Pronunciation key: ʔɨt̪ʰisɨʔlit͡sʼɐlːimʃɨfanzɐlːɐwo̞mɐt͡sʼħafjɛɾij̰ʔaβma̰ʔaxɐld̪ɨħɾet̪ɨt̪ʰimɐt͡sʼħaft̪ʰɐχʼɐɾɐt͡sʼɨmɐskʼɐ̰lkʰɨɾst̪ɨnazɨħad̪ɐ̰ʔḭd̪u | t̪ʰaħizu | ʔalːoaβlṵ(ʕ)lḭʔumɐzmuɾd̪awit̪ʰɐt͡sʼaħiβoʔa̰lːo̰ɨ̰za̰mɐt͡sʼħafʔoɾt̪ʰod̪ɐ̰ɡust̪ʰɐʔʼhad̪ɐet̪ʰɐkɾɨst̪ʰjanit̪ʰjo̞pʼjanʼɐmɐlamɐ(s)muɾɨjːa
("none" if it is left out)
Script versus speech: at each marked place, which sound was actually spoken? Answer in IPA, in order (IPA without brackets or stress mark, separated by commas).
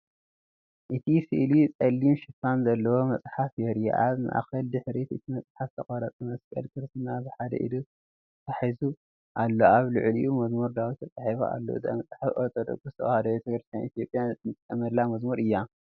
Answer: ʕ, z